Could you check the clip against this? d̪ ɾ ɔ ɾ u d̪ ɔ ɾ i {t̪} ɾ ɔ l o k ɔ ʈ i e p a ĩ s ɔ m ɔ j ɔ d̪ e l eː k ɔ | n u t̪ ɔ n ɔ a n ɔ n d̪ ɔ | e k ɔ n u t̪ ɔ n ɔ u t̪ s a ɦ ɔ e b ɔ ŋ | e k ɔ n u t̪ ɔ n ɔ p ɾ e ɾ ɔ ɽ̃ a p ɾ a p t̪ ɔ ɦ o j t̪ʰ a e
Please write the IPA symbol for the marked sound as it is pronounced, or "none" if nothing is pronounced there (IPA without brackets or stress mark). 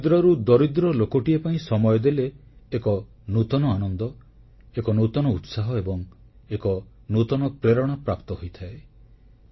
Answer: d̪